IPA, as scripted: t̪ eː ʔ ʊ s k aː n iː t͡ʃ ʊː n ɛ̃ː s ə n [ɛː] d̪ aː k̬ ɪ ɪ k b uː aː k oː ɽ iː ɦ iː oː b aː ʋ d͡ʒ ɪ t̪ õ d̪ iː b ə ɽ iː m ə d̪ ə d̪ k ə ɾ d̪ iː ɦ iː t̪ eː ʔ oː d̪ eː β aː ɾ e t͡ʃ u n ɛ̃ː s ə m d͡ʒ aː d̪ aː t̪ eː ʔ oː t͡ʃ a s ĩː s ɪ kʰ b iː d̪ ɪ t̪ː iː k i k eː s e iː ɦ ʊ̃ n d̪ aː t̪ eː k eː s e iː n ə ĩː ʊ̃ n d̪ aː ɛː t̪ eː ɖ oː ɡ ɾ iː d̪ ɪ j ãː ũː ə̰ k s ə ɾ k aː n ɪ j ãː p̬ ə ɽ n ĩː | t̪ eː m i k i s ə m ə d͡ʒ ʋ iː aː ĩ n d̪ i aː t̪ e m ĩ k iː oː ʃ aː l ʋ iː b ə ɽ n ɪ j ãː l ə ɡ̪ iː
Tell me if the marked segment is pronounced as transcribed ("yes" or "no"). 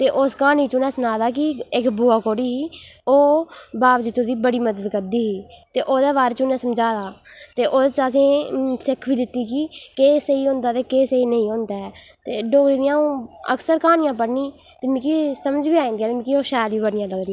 no